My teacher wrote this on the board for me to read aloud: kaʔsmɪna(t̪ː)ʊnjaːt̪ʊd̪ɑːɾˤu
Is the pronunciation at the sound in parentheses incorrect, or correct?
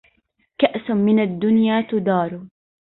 incorrect